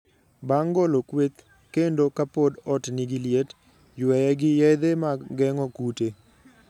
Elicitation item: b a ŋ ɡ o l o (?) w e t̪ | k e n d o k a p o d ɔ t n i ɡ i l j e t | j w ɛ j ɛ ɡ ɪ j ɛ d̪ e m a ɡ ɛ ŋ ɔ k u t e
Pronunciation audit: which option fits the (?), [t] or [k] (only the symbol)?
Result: k